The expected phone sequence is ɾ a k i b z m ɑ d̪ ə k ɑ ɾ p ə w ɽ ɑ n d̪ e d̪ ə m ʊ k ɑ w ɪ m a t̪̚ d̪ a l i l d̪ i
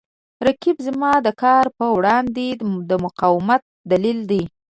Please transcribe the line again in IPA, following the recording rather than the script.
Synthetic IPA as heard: ɾ a k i b z m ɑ d̪ ə k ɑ ɾ p ə w ɽ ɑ n d̪ e d̪ ə m ʊ q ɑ w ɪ m a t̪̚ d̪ a l i l d̪ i